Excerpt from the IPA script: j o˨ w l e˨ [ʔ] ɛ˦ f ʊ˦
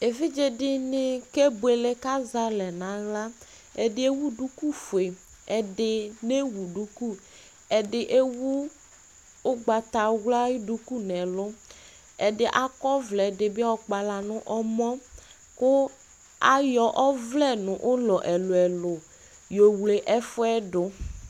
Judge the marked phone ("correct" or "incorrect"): correct